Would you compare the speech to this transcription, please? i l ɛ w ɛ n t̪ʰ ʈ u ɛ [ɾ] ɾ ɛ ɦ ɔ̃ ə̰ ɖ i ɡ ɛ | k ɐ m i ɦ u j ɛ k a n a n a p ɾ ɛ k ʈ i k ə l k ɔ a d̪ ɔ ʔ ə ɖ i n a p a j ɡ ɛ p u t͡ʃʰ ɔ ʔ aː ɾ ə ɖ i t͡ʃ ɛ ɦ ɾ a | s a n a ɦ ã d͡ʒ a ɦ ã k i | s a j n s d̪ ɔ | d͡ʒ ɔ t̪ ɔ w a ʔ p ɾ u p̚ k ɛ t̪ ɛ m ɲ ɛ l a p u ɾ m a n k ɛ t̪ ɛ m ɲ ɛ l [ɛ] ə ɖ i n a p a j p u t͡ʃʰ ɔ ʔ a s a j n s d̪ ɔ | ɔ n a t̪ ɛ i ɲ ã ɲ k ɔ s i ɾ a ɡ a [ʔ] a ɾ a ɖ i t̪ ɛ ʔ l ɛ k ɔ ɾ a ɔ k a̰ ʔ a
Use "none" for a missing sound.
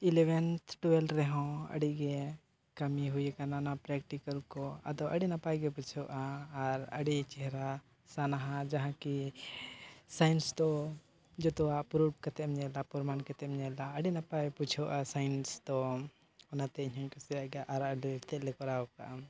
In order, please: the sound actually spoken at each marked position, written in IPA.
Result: l, a, ʔ

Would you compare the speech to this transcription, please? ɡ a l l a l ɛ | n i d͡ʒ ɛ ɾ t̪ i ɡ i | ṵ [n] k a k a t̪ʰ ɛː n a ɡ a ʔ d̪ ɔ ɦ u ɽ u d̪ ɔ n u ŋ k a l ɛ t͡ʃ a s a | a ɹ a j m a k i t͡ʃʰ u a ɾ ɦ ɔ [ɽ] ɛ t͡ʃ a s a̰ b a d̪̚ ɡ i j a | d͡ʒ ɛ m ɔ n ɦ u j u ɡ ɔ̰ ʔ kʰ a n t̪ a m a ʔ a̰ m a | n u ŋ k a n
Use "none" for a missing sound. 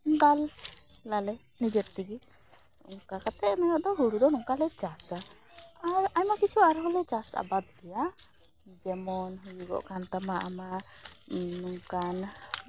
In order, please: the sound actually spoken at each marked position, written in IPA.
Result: ŋ, l

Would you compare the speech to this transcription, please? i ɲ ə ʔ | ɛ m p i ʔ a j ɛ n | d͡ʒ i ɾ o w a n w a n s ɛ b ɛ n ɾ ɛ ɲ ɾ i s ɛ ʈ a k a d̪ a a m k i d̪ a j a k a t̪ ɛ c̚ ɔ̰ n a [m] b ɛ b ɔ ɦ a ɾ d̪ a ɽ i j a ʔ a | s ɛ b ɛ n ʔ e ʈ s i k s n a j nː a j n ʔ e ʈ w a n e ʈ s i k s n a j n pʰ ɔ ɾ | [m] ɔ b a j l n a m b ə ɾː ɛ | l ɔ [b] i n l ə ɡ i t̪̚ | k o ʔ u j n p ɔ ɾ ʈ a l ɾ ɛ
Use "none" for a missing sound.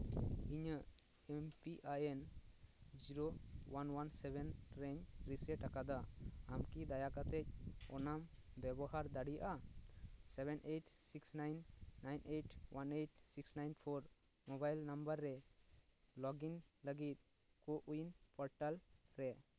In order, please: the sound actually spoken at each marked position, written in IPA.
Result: m, m, ɡ

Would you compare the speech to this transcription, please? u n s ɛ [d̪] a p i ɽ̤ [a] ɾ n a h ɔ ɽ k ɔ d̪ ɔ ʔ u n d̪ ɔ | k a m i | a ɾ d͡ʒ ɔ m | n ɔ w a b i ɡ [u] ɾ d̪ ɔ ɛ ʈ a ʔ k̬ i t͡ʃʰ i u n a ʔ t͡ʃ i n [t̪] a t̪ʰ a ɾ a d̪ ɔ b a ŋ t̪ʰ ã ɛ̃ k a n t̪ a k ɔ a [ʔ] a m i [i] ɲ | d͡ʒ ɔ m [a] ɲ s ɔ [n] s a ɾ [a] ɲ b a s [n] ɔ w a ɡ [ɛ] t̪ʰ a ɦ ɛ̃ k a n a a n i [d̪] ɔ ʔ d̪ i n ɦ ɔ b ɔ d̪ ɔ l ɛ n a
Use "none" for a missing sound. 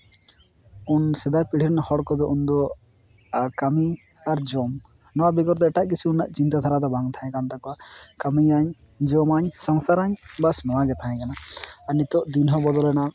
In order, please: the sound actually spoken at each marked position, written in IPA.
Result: d̪, i, ɔ, t̪, k, a, a, ŋ, a, n, ɛ, t̪

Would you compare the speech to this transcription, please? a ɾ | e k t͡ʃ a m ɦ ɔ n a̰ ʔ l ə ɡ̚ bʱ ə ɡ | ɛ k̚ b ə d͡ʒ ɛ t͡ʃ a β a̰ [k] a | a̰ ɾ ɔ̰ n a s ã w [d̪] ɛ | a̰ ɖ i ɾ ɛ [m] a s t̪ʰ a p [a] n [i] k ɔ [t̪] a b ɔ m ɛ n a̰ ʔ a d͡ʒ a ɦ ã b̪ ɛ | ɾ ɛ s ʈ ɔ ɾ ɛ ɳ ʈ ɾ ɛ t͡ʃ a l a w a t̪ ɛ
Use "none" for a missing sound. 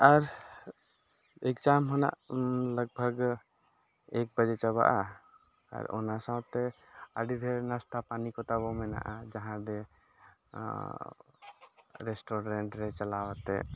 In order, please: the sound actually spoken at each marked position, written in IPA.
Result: ʔ, t̪, n, a, i, t̪

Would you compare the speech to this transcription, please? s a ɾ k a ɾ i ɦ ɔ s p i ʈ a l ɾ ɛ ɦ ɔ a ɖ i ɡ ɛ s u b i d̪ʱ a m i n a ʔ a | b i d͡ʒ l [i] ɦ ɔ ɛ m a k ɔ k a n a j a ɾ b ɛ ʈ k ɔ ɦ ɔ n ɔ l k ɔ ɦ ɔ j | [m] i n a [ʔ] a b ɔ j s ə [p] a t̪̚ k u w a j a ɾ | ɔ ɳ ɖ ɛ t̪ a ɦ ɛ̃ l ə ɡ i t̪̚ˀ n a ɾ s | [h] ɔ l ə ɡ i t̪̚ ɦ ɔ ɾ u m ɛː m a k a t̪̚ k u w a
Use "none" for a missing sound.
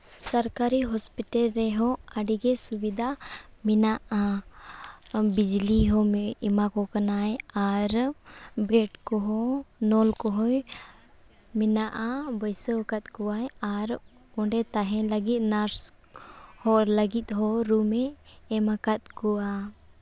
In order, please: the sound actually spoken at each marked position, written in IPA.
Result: i, m, ʔ, k, h

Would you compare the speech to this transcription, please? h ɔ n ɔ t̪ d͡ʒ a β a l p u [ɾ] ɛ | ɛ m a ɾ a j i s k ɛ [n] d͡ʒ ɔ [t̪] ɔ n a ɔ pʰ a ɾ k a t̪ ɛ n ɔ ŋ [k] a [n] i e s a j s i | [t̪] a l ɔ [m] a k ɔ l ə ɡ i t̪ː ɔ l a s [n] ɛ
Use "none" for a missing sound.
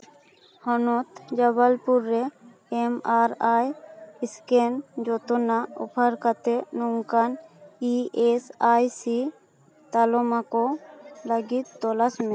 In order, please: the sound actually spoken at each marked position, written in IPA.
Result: ɾː, n, t̪, k, n, t̪, m, m

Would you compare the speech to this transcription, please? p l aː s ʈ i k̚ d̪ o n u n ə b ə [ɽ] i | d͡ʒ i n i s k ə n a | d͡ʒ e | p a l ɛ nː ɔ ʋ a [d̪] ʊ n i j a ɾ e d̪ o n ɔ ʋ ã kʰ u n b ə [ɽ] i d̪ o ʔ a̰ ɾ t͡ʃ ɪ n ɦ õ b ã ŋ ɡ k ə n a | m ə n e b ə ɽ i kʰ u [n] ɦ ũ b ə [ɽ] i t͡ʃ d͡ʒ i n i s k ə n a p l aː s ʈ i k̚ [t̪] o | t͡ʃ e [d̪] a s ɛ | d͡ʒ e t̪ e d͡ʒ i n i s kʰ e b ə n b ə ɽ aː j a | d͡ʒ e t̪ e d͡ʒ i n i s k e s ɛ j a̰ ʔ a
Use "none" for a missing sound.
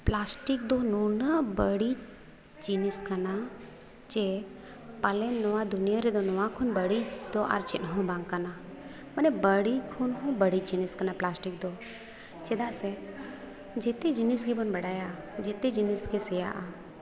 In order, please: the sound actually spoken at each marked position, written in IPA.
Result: ɽ, d̪, ɽ, n, ɽ, d̪, d̪

